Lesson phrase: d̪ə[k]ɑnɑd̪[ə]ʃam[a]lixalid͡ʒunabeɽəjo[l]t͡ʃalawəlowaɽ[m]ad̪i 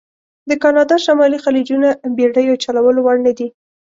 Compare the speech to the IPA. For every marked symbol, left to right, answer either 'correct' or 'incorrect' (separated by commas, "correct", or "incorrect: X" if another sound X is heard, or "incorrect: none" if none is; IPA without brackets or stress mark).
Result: correct, incorrect: ɑ, incorrect: ɑ, incorrect: none, incorrect: n